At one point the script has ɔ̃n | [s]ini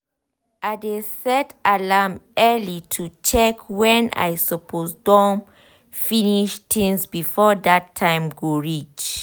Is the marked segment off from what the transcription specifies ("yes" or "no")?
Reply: yes